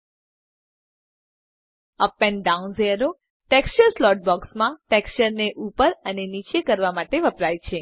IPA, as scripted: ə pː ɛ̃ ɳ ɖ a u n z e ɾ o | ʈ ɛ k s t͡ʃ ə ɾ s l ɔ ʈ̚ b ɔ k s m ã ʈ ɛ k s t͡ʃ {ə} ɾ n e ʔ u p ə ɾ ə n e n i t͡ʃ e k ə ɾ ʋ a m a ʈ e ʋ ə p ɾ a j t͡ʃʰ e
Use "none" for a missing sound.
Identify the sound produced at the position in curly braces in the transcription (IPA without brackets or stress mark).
ə